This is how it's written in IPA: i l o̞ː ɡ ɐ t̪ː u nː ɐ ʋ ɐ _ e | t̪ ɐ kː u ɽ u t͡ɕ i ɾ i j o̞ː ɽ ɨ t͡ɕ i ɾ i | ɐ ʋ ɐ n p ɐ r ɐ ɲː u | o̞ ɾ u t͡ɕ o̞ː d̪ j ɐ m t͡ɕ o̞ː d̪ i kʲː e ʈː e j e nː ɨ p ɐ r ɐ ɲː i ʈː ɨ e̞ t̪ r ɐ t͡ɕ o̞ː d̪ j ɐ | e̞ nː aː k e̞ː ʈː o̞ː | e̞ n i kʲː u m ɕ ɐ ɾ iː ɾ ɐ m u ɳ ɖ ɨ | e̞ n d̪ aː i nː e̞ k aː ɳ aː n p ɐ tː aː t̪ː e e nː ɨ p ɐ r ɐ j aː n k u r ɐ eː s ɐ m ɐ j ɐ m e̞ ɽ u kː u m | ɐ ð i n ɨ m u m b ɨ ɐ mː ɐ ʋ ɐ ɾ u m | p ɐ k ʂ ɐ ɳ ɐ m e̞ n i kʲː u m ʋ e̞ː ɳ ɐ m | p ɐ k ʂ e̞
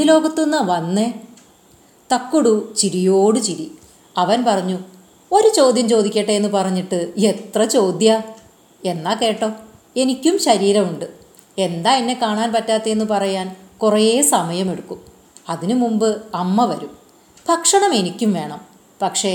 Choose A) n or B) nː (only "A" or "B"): B